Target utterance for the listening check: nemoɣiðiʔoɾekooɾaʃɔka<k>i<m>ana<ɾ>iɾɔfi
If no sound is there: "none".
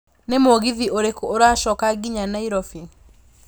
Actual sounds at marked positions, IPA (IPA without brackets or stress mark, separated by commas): ɡ, ɲ, none